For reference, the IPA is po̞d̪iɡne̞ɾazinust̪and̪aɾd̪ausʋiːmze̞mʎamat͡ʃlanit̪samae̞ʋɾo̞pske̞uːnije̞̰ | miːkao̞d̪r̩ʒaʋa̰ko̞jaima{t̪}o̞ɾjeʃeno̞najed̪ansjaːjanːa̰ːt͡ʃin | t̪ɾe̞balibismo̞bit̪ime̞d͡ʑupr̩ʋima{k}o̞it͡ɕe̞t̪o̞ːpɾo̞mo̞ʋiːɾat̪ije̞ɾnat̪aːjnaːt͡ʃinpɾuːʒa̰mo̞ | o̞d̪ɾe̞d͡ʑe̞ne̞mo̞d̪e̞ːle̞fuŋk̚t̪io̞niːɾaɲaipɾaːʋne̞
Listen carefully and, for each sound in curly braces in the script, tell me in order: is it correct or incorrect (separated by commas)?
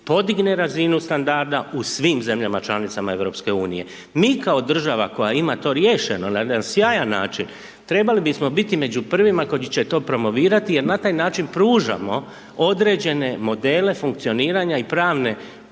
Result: correct, correct